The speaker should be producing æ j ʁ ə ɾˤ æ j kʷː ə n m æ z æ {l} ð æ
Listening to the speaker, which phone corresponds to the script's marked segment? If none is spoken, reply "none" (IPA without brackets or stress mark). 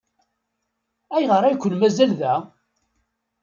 l